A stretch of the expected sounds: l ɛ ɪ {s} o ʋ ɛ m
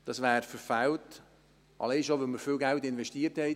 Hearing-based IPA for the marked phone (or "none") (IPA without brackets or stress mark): ʃ